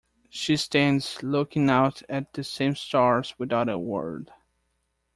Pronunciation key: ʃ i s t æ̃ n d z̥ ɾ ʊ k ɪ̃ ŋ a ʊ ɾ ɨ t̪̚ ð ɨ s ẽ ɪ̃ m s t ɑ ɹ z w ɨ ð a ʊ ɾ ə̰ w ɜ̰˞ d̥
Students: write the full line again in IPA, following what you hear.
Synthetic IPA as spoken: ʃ i s t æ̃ n d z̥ l ʊ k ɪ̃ ŋ a ʊ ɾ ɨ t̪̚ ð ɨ s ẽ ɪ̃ m s t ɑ ɹ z w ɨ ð a ʊ ɾ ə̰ w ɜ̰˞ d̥